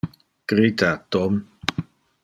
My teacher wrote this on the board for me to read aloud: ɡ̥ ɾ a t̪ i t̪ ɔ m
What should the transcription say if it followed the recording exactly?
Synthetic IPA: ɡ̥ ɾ i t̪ a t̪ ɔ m

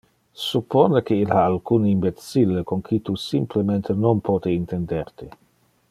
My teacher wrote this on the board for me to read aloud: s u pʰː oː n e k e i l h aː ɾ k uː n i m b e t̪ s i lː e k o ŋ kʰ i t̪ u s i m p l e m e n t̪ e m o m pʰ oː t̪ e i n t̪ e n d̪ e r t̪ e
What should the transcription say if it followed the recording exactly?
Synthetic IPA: s u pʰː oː n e k e i l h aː l k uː n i m b e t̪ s i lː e k o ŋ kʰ i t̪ u s i m p l e m e n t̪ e n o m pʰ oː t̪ e i n t̪ e n d̪ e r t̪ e

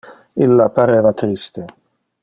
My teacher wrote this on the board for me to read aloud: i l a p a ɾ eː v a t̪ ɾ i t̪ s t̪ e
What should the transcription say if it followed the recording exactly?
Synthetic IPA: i lː a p a ɾ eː v a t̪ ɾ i s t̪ e

